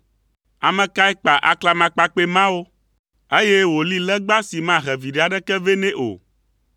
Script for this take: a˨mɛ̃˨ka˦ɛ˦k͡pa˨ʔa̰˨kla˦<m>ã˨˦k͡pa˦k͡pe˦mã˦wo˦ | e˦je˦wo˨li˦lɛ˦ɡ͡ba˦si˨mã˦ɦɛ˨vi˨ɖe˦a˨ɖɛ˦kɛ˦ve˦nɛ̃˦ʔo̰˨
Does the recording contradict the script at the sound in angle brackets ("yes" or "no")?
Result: no